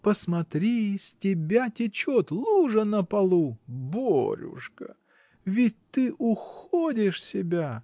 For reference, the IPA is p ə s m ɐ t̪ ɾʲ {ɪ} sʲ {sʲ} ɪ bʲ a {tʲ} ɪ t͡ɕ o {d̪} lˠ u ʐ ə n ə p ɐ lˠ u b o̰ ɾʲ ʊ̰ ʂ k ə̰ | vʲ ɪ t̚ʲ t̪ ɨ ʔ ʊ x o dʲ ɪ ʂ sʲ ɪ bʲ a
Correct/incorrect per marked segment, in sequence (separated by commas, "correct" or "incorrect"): incorrect, incorrect, correct, incorrect